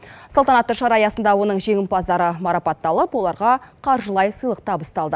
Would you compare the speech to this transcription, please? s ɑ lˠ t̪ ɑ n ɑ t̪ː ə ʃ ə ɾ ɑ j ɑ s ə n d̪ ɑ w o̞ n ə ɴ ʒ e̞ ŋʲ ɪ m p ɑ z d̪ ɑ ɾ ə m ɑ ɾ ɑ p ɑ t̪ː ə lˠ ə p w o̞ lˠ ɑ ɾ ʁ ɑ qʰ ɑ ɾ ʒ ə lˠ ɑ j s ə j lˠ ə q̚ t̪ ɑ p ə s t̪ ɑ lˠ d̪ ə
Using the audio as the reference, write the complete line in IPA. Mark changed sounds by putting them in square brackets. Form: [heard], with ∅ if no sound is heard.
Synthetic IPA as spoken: s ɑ lˠ t̪ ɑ n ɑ t̪ː ə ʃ [ɑ] ɾ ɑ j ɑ s ə n d̪ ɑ w o̞ n ə ɴ ʒ e̞ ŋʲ ɪ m p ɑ z d̪ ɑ ɾ ə m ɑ ɾ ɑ p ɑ t̪ː [ɑ] lˠ ə p w o̞ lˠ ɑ ɾ ʁ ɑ qʰ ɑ ɾ ʒ ə lˠ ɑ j s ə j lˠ ə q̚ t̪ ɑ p ə s t̪ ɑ lˠ d̪ ə